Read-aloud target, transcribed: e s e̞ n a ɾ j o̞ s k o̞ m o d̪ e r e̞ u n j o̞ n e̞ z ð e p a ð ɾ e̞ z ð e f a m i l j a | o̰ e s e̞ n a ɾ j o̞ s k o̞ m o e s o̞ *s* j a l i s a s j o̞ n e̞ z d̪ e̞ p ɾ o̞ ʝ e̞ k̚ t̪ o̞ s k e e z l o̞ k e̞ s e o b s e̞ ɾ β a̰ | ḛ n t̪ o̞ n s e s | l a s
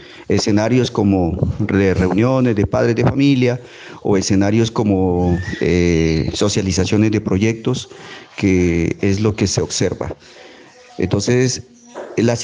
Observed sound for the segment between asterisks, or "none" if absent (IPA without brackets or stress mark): s